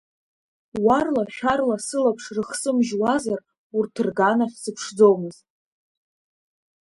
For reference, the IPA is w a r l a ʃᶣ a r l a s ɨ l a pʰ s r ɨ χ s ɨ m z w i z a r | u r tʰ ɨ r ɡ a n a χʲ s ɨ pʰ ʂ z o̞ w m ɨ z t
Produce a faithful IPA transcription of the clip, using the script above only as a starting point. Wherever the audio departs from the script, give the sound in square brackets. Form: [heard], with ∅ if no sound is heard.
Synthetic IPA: w a r l a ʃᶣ a r l a s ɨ l a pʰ [ʂ] r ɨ χ s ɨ m [ʒ] w [a] z a r | u r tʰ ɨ r ɡ a n a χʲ s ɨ pʰ ʂ [d͡z] o̞ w m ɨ z t